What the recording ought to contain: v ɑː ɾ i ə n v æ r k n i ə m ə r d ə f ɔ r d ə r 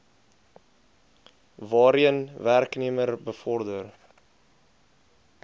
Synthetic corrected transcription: v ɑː ɾ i ə n v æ r k n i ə m ə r b ə f ɔ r d ə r